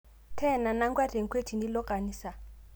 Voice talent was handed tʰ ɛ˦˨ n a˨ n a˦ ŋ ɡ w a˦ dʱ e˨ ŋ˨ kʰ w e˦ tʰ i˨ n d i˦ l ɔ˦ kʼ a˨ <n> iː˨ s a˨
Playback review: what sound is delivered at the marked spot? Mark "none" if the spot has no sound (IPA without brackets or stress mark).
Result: n